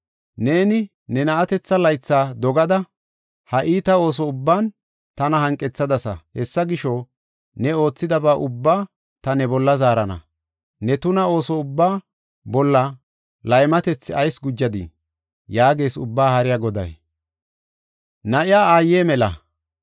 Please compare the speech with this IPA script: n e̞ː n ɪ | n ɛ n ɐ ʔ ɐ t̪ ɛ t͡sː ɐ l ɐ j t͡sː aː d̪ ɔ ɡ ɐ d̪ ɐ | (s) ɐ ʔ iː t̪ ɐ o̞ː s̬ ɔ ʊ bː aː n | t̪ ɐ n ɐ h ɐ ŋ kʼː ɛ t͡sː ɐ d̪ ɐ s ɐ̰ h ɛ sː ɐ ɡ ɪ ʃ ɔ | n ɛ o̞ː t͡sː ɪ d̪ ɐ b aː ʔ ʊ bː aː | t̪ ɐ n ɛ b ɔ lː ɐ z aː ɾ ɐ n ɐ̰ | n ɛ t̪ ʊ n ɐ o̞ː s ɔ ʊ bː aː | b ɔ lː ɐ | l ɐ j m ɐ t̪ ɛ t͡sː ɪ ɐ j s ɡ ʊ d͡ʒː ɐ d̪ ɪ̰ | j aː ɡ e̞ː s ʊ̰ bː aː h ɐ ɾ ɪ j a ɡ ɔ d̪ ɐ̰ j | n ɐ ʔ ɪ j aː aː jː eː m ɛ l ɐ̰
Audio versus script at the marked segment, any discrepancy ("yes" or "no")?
yes